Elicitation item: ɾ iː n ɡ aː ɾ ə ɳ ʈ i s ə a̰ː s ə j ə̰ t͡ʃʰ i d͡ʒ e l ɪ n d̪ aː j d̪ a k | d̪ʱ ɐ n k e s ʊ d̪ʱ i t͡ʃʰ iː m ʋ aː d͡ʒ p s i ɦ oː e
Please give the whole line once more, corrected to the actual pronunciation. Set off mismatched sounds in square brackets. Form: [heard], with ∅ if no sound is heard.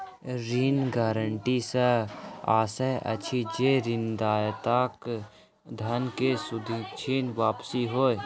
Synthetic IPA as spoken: ɾ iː n ɡ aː ɾ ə ɳ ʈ i s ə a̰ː s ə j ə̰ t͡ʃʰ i d͡ʒ e [ɾ] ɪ n d̪ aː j [t̪] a k | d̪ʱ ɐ n k e s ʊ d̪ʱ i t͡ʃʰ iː [n] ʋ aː [∅] p s i ɦ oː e

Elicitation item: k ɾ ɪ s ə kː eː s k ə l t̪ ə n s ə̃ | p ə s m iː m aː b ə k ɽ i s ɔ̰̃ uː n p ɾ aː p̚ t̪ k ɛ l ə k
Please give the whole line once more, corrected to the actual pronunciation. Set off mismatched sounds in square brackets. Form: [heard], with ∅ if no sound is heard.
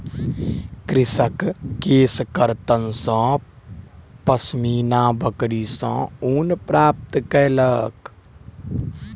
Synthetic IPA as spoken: k ɾ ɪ s ə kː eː s k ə [ɾ] t̪ ə n s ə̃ | p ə s m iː [n] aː b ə k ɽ i s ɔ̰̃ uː n p ɾ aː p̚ t̪ k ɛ l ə k

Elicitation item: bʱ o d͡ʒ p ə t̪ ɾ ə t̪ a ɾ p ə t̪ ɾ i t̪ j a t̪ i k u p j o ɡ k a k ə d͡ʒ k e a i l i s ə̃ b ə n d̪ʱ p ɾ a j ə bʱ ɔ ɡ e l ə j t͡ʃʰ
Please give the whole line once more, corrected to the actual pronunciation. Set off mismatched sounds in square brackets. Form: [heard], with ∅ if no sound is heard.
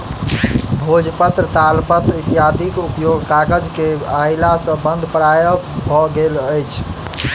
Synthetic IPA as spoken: bʱ o d͡ʒ p ə t̪ ɾ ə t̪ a [l] p ə t̪ ɾ i t̪ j a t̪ i k u p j o ɡ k a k ə d͡ʒ k e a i l [a] s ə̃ b ə n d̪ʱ p ɾ a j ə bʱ ɔ ɡ e l ə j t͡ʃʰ

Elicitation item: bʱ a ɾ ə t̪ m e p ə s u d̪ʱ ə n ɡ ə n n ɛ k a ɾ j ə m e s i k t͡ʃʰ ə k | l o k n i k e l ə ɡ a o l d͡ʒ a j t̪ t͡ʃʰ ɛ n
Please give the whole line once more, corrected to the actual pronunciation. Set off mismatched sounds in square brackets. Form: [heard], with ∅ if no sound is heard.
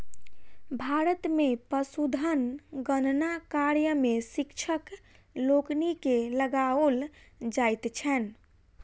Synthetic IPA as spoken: bʱ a ɾ ə t̪ m e p ə s u d̪ʱ ə n ɡ ə n n [a] k a ɾ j ə m e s i k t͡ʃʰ ə k | l o k n i k e l ə ɡ a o l d͡ʒ a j t̪ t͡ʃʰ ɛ n

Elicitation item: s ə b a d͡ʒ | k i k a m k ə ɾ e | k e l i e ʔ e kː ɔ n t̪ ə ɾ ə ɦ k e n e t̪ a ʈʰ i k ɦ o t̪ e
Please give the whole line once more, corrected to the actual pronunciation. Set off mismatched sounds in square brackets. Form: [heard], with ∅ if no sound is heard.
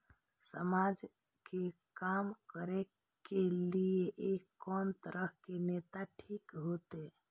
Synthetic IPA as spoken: s ə [m] a d͡ʒ | k [e] k a m k ə ɾ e | k e l i e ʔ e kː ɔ n t̪ ə ɾ ə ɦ k e n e t̪ a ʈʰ i k ɦ o t̪ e

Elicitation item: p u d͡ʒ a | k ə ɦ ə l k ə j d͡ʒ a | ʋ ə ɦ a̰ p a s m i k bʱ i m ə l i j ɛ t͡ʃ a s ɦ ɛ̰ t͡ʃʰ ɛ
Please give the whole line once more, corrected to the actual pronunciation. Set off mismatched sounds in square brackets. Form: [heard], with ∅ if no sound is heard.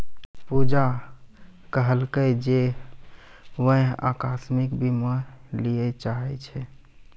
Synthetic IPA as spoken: p u d͡ʒ a | k ə ɦ ə l k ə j d͡ʒ [e] | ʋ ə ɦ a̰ [k] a s m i k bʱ i m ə l i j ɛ t͡ʃ a [∅] ɦ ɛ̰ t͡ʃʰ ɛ

